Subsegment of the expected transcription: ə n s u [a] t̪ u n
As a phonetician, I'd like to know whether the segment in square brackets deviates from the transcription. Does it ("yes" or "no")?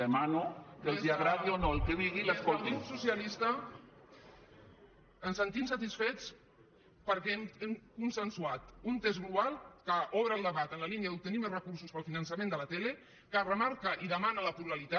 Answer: no